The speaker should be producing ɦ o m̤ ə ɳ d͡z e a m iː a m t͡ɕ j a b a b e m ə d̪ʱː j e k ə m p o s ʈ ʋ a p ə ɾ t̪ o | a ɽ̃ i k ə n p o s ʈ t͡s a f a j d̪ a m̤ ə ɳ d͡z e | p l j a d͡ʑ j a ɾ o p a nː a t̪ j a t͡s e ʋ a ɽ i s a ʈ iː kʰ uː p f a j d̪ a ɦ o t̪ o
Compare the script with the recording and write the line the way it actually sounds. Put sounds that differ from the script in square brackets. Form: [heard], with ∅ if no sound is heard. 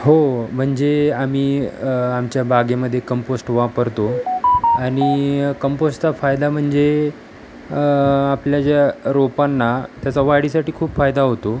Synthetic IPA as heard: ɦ o m̤ ə ɳ d͡z e a m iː a m t͡ɕ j a b a [ɡ] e m ə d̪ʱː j e k ə m p o s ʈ ʋ a p ə ɾ t̪ o | a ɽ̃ i k ə [m] p o s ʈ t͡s a f a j d̪ a m̤ ə ɳ d͡z e | p l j a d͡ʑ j a ɾ o p a nː a t̪ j a t͡s [a] ʋ a ɽ i s a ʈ iː kʰ uː p f a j d̪ a ɦ o t̪ o